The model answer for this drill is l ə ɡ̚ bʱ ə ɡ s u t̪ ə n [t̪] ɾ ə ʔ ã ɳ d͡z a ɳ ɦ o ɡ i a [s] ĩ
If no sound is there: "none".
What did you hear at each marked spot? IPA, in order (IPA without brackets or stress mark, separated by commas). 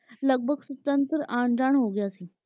t̪, s